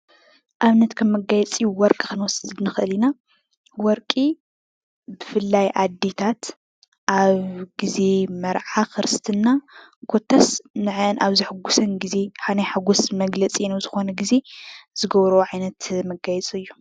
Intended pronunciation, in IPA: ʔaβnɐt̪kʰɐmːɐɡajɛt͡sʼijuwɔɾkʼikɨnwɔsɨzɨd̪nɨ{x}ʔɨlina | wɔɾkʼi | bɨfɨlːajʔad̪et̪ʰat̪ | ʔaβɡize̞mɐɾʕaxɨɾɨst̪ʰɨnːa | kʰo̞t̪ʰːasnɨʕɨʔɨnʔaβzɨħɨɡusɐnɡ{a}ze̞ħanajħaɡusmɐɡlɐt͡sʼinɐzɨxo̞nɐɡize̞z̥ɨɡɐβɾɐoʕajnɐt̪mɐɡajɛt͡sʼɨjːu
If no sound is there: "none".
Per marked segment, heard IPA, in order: x, i

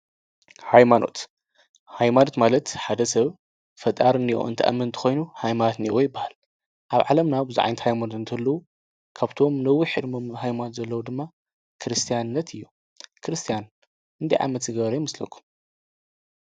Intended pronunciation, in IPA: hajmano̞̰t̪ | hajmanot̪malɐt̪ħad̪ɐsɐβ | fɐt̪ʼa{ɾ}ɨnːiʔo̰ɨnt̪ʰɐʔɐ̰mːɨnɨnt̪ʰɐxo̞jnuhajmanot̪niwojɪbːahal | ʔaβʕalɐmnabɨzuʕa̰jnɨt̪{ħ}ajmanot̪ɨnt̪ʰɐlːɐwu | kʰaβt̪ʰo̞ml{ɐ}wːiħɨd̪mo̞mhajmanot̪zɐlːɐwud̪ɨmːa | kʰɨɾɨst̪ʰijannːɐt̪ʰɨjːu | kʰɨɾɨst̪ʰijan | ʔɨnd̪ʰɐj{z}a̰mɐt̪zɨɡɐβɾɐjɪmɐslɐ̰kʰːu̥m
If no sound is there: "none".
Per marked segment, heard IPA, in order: ɾ, h, ɐ, ʕ

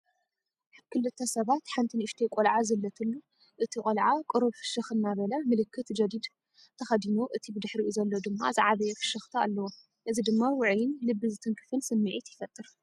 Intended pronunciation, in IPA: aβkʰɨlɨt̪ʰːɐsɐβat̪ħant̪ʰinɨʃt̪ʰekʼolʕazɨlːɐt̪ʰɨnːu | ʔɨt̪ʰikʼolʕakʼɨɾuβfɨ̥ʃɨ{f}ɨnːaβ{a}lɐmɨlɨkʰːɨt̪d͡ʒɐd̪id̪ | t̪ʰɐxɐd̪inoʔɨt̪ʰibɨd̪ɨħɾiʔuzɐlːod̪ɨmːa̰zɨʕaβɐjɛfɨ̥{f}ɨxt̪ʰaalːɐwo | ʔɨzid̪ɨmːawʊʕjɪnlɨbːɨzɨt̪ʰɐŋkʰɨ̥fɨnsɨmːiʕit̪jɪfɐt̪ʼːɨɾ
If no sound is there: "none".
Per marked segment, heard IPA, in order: x, ɐ, ʃ

